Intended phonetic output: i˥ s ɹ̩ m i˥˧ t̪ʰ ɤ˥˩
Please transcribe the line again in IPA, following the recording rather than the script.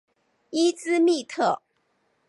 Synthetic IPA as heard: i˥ t͡s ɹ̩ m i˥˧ t̪ʰ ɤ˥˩

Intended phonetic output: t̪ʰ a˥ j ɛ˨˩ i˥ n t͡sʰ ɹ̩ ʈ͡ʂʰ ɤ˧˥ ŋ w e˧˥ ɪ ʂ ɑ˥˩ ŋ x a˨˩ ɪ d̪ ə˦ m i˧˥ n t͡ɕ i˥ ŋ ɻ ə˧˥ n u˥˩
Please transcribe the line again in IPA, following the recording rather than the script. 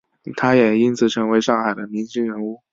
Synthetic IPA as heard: t̪ʰ a˥ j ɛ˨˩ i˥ n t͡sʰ ɹ̩ ʈ͡ʂʰ ɤ˧˥ ŋ w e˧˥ ɪ ʂ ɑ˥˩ ŋ x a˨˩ ɪ d̪ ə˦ m i˧˥ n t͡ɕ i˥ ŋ ɻ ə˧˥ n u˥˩

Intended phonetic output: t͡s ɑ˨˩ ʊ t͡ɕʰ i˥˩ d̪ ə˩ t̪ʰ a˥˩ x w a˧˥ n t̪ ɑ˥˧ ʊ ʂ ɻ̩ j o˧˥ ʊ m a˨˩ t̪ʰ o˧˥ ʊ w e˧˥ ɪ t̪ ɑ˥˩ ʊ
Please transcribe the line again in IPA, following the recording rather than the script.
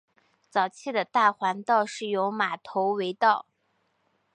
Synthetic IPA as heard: t͡s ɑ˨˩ ʊ t͡ɕʰ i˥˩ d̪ ə˩ t̪ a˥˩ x w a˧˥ n t̪ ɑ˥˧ ʊ ʂ ɻ̩ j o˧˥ ʊ m a˨˩ t̪ʰ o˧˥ ʊ w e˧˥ ɪ t̪ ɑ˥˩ ʊ

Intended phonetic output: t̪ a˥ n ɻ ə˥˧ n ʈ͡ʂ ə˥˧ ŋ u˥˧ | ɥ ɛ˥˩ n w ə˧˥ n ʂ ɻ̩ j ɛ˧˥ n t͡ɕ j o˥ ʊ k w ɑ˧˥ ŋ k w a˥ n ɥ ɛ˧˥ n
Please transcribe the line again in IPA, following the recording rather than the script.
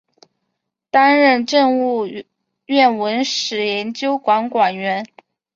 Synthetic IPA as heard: t̪ a˥ n ɻ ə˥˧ n ʈ͡ʂ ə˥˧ ŋ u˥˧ | ɥ ɛ˥˩ n w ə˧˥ n ʂ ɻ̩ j ɛ˧˥ n t͡ɕ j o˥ ʊ k w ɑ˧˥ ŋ k w a˨˩ n ɥ ɛ˧˥ n

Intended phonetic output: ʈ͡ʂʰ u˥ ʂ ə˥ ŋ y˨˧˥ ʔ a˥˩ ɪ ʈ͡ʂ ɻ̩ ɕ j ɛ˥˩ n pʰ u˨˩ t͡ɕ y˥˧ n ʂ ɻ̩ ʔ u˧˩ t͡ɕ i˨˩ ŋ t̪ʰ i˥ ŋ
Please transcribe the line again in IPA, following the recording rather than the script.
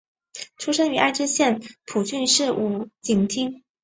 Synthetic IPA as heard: ʈ͡ʂʰ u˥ ʂ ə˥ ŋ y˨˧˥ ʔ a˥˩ ɪ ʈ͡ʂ ɻ̩ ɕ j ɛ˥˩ n pʰ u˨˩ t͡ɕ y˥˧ n ʂ ɻ̩ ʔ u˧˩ t͡ɕ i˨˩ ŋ t̪ʰ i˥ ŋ

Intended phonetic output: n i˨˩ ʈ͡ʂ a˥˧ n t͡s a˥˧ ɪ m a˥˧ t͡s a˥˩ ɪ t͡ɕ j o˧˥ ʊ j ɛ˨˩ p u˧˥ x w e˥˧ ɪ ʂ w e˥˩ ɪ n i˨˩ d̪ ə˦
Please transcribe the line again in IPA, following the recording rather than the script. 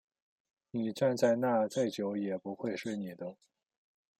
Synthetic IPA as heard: n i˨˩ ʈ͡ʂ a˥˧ n t͡s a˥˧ ɪ n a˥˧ t͡s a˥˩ ɪ t͡ɕ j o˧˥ ʊ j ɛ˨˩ p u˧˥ x w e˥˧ ɪ ʂ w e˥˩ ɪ n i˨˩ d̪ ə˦

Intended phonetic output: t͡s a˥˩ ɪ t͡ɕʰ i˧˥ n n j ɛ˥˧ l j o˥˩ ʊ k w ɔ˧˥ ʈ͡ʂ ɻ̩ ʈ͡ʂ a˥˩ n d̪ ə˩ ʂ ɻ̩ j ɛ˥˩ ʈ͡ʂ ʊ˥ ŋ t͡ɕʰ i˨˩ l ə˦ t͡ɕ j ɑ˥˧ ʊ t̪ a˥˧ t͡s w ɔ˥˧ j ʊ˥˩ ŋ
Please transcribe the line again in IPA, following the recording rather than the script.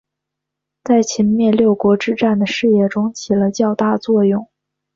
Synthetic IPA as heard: t͡s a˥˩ ɪ t͡ɕʰ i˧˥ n m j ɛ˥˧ l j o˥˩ ʊ k w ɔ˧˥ ʈ͡ʂ ɻ̩ ʈ͡ʂ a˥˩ n d̪ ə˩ ʂ ɻ̩ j ɛ˥˩ ʈ͡ʂ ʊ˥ ŋ t͡ɕʰ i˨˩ l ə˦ t͡ɕ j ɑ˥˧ ʊ t̪ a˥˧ t͡s w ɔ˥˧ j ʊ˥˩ ŋ

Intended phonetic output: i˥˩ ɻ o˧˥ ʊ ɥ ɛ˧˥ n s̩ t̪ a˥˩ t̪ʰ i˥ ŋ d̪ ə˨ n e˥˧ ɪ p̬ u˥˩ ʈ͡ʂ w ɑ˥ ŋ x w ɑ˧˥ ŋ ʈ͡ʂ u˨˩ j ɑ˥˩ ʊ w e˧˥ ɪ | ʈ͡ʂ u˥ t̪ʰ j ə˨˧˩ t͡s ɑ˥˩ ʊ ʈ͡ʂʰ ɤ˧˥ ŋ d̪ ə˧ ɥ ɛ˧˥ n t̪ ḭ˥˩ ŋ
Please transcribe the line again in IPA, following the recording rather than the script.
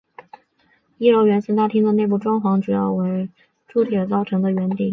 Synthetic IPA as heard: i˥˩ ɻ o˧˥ ʊ ɥ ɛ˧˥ n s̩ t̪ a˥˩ t̪ʰ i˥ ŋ d̪ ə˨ n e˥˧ ɪ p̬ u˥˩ ʈ͡ʂ w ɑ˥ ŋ x w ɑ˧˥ ŋ ʈ͡ʂ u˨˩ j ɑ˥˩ ʊ w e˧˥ ɪ | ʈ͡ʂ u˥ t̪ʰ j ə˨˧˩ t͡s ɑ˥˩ ʊ ʈ͡ʂʰ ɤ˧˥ ŋ d̪ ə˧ ɥ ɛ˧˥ n t̪ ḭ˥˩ ŋ

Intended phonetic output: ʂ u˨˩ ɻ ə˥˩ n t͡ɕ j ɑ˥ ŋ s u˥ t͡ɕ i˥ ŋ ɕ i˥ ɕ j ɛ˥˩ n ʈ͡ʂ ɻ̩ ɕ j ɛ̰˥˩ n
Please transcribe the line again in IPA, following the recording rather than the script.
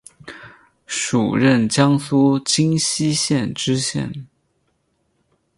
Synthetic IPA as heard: ʂ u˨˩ ɻ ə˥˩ n t͡ɕ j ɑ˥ ŋ s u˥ t͡ɕ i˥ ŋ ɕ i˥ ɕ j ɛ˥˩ n ʈ͡ʂ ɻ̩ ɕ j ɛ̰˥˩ n

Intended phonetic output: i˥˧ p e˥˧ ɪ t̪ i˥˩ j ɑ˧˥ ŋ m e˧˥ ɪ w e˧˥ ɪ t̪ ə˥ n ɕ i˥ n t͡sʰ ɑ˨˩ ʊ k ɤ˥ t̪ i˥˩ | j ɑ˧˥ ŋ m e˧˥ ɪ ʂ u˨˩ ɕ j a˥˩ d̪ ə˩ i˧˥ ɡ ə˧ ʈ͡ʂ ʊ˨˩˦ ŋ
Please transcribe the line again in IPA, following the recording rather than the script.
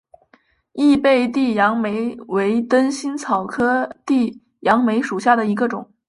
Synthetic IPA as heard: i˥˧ p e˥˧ ɪ t̪ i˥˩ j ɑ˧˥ ŋ m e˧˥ ɪ w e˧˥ ɪ t̪ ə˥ n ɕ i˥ n t͡sʰ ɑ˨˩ ʊ kʰ ɤ˥ t̪ i˥˩ | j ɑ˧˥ ŋ m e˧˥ ɪ ʂ u˨˩ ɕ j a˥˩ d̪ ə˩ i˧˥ ɡ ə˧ ʈ͡ʂ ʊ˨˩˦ ŋ

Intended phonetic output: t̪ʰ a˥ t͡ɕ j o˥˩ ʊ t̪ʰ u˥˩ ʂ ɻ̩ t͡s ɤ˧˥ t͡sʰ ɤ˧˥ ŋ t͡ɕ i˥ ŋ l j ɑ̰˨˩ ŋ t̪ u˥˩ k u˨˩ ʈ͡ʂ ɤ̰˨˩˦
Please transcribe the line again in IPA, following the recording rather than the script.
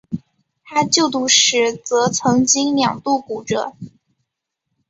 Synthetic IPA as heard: t̪ʰ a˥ t͡ɕ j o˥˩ ʊ t̪ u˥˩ ʂ ɻ̩ t͡s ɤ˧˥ t͡sʰ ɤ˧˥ ŋ t͡ɕ i˥ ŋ l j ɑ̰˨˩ ŋ t̪ u˥˩ k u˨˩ ʈ͡ʂ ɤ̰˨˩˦

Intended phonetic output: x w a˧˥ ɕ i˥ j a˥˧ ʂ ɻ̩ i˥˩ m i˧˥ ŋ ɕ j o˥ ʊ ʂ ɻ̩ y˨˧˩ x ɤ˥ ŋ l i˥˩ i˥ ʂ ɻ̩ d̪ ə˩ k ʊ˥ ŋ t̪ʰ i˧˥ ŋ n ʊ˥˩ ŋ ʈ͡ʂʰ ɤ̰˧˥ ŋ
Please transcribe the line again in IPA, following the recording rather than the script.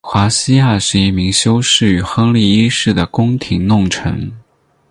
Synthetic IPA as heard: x w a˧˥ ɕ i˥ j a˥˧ ʂ ɻ̩ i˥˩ m i˧˥ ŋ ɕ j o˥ ʊ ʂ ɻ̩ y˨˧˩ x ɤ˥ ŋ l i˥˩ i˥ ʂ ɻ̩ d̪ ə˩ k ʊ˥ ŋ t̪ʰ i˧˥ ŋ n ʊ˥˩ ŋ ʈ͡ʂʰ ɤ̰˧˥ ŋ

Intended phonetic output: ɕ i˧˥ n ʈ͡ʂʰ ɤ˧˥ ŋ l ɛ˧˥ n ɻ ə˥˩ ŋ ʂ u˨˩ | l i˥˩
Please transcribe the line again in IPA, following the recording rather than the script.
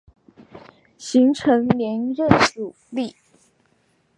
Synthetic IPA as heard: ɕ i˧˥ ŋ ʈ͡ʂʰ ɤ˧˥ ŋ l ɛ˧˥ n ɻ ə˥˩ n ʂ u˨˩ | l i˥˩

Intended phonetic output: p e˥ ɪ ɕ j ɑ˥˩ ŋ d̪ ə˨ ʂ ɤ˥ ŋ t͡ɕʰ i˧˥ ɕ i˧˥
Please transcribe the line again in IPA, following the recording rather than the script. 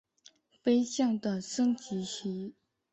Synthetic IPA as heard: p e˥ ɪ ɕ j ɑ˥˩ ŋ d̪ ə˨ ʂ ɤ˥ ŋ t͡ɕ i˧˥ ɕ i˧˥

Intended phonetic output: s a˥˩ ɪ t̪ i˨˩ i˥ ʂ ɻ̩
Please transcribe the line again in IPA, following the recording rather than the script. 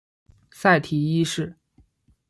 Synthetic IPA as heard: s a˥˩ ɪ t̪ʰ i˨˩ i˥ ʂ ɻ̩

